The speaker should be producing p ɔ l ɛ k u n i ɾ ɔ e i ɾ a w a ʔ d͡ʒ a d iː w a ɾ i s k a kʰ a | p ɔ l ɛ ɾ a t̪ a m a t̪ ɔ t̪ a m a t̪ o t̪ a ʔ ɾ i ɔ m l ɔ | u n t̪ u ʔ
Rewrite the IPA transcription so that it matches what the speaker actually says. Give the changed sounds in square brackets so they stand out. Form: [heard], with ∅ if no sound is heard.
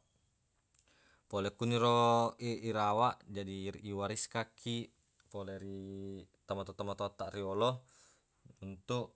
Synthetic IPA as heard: p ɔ l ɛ k u n i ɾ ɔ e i ɾ a w a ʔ d͡ʒ a d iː w a ɾ i s k a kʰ [i] | p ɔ l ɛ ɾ [i] t̪ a m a t̪ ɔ t̪ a m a t̪ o t̪ a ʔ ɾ i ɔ [∅] l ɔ | u n t̪ u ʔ